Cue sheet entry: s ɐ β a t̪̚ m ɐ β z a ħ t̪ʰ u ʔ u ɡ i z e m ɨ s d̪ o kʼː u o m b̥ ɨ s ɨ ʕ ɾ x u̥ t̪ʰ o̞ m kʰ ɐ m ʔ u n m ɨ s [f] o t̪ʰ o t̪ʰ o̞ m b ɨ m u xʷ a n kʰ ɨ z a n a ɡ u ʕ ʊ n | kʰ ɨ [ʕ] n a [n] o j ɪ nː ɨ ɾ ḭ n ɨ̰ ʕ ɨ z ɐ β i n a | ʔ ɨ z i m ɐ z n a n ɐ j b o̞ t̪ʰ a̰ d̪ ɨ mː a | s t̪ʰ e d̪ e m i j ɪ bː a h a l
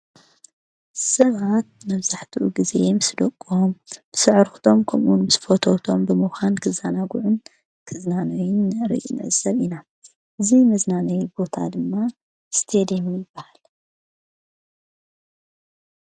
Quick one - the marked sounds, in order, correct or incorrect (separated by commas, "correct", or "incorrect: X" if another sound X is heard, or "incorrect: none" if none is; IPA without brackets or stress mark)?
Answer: correct, incorrect: z, correct